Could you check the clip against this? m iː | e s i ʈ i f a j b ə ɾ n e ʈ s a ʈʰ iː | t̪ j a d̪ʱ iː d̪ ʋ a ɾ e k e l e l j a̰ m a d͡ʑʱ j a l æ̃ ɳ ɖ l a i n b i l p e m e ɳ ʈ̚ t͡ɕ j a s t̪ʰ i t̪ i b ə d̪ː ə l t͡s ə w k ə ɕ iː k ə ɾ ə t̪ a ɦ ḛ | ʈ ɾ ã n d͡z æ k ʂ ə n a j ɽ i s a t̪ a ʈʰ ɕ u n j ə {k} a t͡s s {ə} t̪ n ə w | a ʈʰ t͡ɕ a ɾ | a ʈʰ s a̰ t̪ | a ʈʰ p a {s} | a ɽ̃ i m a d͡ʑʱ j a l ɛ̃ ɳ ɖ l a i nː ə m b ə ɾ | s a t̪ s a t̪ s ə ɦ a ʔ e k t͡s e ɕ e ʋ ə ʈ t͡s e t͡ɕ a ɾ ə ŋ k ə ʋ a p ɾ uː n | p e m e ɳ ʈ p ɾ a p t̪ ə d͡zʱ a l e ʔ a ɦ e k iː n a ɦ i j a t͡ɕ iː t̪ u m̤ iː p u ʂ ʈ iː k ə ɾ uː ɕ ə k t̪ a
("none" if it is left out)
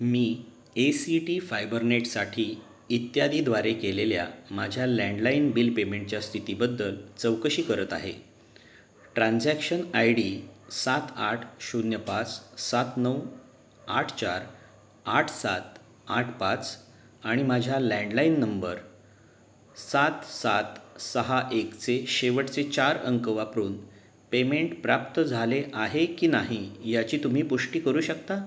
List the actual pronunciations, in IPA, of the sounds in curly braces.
p, a, t͡s

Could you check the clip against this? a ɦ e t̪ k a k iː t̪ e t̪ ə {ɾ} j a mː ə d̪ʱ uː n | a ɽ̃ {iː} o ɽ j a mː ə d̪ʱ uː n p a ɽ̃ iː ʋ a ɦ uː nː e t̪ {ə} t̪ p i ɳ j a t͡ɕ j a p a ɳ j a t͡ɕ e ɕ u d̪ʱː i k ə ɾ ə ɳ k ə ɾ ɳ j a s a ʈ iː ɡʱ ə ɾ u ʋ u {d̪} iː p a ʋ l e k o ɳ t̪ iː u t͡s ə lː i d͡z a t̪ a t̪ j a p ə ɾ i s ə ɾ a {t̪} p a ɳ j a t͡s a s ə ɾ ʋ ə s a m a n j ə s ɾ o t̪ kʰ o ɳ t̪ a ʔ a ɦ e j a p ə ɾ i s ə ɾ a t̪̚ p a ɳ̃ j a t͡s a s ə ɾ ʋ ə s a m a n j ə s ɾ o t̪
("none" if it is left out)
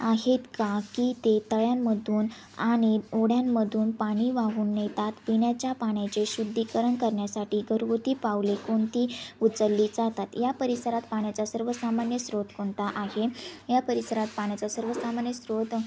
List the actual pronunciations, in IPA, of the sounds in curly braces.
ɭ, i, a, t̪, t̪

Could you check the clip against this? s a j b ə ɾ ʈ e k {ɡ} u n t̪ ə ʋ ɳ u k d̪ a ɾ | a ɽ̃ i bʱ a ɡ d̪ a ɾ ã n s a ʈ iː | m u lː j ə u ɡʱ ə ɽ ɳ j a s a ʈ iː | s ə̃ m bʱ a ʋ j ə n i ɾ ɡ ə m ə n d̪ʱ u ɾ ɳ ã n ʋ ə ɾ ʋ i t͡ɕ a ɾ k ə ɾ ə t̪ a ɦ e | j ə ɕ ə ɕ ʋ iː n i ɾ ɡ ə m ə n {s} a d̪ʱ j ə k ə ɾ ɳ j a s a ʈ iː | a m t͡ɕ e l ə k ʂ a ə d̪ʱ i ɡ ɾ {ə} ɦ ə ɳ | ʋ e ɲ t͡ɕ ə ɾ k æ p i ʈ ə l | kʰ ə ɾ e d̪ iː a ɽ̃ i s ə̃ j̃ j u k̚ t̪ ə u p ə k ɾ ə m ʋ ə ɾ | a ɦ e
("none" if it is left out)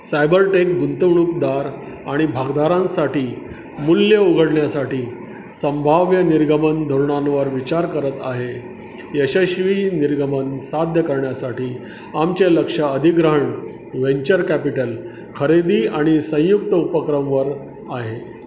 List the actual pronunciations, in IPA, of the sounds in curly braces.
ɡ, s, ə

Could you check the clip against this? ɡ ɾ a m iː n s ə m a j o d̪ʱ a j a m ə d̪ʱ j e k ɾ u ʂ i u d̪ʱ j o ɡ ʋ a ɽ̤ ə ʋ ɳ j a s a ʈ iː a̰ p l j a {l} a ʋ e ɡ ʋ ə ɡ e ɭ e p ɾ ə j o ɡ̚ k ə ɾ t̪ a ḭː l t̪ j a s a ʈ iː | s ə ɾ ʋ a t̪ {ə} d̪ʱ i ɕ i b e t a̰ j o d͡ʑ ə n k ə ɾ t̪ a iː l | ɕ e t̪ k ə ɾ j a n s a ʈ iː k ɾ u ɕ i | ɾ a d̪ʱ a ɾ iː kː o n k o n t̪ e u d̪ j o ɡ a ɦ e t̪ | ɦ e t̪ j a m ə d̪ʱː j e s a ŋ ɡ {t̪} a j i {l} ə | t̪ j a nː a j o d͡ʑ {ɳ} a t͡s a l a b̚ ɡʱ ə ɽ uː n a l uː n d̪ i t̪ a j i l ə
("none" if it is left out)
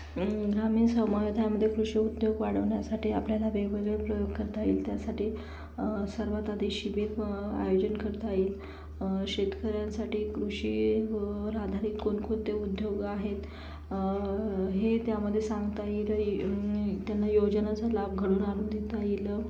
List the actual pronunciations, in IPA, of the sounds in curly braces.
l, a, t̪, l, n

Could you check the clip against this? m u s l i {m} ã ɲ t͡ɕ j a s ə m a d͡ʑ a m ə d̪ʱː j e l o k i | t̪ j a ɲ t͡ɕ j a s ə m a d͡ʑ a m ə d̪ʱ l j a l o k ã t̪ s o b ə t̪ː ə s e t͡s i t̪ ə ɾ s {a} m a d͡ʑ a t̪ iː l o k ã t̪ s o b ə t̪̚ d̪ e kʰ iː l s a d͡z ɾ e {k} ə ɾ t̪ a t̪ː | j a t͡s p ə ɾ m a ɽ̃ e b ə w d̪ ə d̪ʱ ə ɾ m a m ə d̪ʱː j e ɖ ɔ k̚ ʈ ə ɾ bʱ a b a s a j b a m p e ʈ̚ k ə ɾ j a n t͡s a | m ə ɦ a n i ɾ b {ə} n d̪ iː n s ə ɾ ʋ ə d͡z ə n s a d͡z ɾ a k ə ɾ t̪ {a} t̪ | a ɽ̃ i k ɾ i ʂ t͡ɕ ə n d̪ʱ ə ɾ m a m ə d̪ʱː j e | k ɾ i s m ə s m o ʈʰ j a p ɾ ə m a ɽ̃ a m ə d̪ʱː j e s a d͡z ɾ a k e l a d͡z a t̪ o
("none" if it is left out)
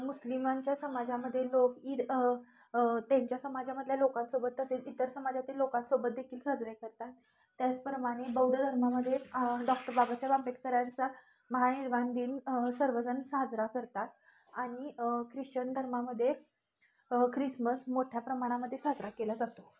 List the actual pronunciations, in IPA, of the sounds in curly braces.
m, ə, k, a, a

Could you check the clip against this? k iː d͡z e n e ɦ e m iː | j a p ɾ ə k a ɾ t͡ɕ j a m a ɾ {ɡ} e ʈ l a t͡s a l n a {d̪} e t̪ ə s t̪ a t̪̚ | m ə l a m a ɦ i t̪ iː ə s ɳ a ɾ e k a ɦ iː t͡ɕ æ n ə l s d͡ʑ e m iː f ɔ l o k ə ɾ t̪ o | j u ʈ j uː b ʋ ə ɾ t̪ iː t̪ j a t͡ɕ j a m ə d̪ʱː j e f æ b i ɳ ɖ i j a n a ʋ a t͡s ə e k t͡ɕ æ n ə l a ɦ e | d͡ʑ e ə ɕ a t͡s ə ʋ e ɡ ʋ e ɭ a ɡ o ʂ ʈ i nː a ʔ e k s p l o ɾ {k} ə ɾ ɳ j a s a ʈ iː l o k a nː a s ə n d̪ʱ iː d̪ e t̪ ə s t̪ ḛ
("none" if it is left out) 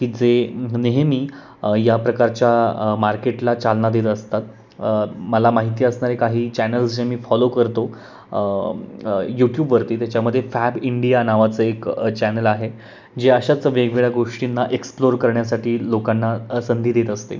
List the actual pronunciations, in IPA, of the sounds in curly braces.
k, d̪, k

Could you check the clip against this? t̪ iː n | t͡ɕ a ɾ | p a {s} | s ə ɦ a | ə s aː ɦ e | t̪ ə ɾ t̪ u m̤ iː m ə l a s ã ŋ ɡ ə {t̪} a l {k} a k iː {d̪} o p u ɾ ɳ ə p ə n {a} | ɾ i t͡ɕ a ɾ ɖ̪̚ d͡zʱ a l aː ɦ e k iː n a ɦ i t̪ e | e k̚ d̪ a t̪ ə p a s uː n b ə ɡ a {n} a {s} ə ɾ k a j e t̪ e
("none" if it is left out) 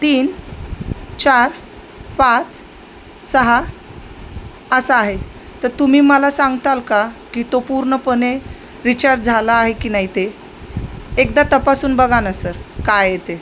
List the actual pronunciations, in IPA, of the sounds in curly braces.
t͡s, t̪, k, t̪, e, n, s

